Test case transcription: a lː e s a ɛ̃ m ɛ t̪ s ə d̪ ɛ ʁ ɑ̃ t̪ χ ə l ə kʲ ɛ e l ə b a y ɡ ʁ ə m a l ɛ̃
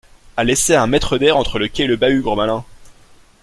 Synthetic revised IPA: a l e s e ɛ̃ m ɛ t̪ χ ə d̪ ɛ ʁ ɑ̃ t̪ χ ə l ə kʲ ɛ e l ə b a y ɡ ʁ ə m a l ɛ̃